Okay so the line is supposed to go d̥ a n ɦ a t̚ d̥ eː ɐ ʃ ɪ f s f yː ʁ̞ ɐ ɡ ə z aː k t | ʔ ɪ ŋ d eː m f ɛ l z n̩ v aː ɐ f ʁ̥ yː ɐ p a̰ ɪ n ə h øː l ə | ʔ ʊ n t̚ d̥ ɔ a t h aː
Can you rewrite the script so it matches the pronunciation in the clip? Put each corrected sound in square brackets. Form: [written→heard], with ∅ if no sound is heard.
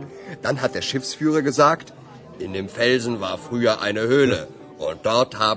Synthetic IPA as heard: d̥ a n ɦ a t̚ d̥ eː ɐ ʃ ɪ f s f yː ʁ̞ ɐ ɡ ə z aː k t | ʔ ɪ [ŋ→n] d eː m f ɛ l z n̩ v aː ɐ f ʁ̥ yː ɐ [p→ʔ] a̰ ɪ n ə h øː l ə | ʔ ʊ n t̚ d̥ ɔ [a→ɐ] t h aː